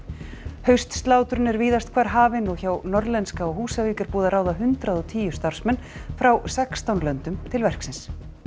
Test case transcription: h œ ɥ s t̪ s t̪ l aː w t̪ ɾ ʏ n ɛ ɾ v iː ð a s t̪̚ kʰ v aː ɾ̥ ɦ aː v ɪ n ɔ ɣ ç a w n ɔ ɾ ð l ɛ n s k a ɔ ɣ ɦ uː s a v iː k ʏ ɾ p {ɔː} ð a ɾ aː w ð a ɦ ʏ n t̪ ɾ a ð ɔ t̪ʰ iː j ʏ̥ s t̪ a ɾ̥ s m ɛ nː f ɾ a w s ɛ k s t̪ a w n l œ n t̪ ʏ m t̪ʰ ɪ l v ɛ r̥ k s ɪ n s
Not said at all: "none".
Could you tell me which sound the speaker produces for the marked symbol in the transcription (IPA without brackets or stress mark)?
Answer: uː